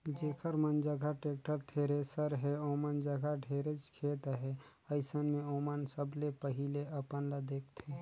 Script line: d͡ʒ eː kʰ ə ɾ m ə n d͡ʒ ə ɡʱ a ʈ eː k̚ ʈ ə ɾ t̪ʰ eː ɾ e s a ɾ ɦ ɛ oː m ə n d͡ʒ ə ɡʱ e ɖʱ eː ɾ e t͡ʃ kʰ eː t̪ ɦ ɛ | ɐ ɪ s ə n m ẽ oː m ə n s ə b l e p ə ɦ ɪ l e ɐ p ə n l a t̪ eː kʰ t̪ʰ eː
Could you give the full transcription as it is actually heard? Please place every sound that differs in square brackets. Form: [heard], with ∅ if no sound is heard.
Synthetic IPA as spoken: d͡ʒ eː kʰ ə ɾ m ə n d͡ʒ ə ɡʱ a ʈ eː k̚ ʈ ə ɾ t̪ʰ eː ɾ e s [ə] ɾ ɦ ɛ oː m ə n d͡ʒ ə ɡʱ [a] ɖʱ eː ɾ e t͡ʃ kʰ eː t̪ ɦ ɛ | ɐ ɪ s ə n m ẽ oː m ə n s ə b l e p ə ɦ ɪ l e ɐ p ə n l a [d̪] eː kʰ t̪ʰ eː